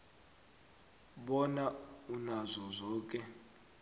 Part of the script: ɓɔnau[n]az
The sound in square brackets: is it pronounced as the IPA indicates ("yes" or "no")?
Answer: yes